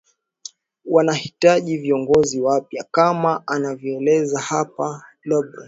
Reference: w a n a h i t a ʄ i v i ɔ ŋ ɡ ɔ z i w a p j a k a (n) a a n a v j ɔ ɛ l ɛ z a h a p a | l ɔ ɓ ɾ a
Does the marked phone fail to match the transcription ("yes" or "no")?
yes